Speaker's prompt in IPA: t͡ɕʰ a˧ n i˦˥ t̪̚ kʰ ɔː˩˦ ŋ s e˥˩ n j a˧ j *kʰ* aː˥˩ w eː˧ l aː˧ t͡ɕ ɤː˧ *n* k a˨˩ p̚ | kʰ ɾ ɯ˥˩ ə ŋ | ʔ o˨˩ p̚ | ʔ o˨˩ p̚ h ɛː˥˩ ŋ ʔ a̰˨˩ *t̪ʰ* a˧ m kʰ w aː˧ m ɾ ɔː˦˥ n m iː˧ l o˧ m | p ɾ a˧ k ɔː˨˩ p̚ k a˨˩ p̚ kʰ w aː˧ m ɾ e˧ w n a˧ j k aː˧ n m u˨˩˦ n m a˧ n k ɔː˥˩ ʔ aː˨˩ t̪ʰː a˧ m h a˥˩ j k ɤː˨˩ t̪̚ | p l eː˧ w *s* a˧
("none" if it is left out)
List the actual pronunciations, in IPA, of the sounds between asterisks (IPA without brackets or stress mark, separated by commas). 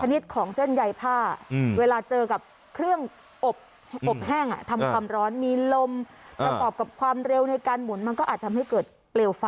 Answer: pʰ, none, t̪ʰ, f